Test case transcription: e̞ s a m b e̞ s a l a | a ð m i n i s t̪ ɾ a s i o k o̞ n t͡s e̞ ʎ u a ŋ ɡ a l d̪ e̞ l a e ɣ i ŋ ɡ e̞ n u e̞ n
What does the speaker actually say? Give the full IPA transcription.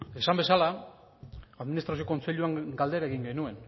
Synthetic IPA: e̞ s a m b e̞ s a l a | a ð m i n i s t̪ ɾ a s i o k o̞ n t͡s e̞ ʎ u a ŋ ɡ a l d̪ e̞ ɾ a e ɣ i ŋ ɡ e̞ n u e̞ n

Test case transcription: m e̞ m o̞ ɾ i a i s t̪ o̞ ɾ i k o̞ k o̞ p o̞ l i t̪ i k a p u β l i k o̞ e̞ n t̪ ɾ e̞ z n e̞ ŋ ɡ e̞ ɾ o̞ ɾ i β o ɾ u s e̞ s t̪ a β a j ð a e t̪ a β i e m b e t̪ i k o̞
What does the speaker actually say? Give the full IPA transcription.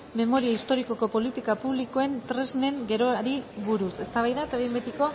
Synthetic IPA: m e̞ m o̞ ɾ i a i s t̪ o̞ ɾ i k o̞ k o̞ p o̞ l i t̪ i k a p u β l i k o̞ e̞ n t̪ ɾ e̞ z n e̞ ŋ ɡ e̞ ɾ o̞ ɾ i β u ɾ u s e̞ s t̪ a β a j ð a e t̪ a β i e m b e t̪ i k o̞

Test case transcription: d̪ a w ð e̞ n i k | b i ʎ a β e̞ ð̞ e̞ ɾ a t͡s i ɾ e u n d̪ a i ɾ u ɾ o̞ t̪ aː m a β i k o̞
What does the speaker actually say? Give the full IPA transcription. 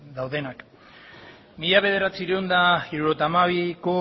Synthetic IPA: d̪ a w ð e̞ n a k | m i ʎ a β e̞ ð̞ e̞ ɾ a t͡s i ɾ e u n d̪ a i ɾ u ɾ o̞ t̪ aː m a β i k o̞

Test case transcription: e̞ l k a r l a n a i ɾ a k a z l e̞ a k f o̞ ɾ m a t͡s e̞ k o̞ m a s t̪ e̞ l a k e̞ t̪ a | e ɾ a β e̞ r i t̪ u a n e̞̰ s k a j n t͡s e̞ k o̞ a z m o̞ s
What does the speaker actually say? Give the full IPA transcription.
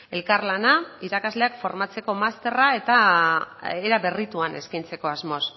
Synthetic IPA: e̞ l k a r l a n a i ɾ a k a z l e̞ a k f o̞ ɾ m a t͡s e̞ k o̞ m a s t̪ e̞ r a e̞ t̪ a | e ɾ a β e̞ r i t̪ u a n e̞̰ s k a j n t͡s e̞ k o̞ a z m o̞ s

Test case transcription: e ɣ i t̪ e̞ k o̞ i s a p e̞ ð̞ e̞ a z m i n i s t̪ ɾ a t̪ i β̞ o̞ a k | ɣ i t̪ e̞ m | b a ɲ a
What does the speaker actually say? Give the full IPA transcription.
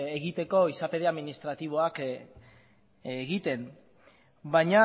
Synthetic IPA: e ɣ i t̪ e̞ k o̞ i s a p e̞ ð̞ e̞ a ð m i n i s t̪ ɾ a t̪ i β̞ o̞ a k | ɣ i t̪ e̞ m | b a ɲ a

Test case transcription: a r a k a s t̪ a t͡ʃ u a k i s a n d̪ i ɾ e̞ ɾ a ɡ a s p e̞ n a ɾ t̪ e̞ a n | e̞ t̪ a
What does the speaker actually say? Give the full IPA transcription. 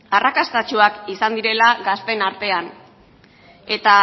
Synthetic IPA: a r a k a s t̪ a t͡ʃ u a k i s a n d̪ i ɾ e̞ l a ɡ a s p e̞ n a ɾ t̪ e̞ a n | e̞ t̪ a

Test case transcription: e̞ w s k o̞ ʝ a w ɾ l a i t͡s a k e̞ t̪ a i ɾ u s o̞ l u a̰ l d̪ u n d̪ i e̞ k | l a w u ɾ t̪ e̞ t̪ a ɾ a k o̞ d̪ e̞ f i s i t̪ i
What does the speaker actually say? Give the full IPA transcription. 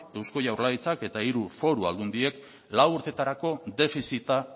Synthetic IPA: e̞ w s k o̞ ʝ a w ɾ l a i t͡s a k e̞ t̪ a i ɾ u f o̞ ɾ u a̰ l d̪ u n d̪ i e̞ k | l a w u ɾ t̪ e̞ t̪ a ɾ a k o̞ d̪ e̞ f i s i t̪ a

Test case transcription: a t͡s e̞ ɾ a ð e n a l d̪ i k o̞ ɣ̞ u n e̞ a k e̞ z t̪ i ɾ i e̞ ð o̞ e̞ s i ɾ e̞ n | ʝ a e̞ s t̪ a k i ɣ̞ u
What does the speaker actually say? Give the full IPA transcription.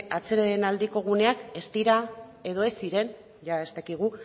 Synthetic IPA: a t͡s e̞ ɾ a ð e n a l d̪ i k o̞ ɣ̞ u n e̞ a k e̞ s t̪ i ɾ a e̞ ð o̞ e̞ s i ɾ e̞ n | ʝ a e̞ s t̪ a k i ɣ̞ u

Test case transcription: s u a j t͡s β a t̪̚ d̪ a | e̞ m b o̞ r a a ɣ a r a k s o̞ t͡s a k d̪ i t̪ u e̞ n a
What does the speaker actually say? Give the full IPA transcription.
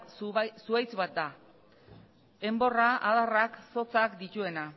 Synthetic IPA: s u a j t͡s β a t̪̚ d̪ a | e̞ m b o̞ r a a ð a r a k s o̞ t͡s a k d̪ i t̪ u e̞ n a

